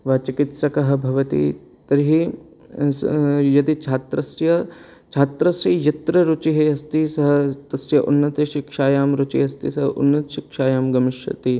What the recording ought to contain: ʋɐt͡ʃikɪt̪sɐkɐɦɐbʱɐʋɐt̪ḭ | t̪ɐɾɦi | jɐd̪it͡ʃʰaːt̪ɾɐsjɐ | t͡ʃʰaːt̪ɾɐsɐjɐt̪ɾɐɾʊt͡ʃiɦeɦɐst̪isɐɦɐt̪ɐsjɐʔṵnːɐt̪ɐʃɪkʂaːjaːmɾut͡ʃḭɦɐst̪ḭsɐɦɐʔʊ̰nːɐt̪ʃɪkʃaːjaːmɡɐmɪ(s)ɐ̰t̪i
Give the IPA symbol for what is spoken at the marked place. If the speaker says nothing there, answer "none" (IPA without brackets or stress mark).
ʃ